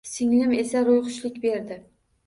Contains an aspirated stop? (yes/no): no